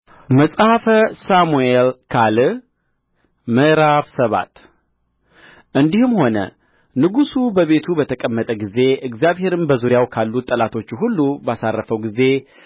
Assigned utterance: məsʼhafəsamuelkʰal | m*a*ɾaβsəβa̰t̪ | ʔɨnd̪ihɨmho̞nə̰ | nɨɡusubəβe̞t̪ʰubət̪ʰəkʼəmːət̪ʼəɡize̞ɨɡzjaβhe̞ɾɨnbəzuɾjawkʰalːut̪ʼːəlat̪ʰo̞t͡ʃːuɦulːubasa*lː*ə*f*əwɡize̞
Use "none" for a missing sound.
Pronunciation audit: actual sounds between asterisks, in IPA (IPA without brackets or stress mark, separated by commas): ə, rː, f